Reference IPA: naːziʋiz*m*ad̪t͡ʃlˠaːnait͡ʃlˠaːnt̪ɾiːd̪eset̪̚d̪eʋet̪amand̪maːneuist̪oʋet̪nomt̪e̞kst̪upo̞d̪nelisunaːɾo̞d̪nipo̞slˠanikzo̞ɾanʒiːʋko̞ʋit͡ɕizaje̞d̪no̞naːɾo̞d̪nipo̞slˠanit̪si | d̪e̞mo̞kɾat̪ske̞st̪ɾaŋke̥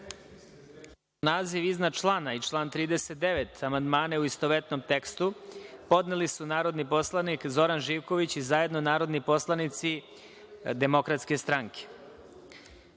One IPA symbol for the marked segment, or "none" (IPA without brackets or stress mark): n